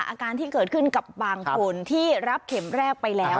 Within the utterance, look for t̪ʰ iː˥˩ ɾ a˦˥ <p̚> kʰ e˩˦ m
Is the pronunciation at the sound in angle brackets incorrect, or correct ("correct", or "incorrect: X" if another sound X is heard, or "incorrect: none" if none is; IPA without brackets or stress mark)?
correct